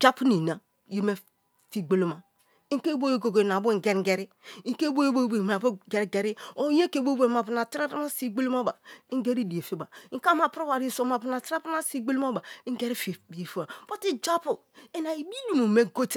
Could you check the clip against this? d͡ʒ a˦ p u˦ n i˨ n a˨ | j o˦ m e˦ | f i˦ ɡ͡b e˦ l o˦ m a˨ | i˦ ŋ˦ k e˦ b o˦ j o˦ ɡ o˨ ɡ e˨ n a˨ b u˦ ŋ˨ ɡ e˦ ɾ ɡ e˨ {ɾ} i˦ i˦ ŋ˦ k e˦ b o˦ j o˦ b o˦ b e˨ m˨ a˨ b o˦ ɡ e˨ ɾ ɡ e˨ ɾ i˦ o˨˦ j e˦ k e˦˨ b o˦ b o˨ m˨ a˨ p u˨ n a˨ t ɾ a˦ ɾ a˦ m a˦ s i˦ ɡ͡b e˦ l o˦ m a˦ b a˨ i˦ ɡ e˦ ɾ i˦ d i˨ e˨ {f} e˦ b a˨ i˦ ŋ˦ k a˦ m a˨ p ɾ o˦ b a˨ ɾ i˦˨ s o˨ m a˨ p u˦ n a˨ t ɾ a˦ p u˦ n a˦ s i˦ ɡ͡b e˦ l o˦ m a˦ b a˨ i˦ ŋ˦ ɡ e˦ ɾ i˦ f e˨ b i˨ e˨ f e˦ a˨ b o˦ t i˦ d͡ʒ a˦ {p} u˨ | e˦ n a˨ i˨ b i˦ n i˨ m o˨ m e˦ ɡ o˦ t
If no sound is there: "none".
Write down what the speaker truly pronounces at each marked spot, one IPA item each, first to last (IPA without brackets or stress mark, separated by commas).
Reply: ɾ, f, p